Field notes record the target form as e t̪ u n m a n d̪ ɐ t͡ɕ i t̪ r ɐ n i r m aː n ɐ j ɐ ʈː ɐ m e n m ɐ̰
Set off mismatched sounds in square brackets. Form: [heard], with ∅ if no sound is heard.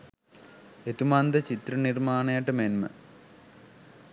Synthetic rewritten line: e t̪ u [∅] m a n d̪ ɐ t͡ɕ i t̪ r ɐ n i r m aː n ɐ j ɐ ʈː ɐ m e n m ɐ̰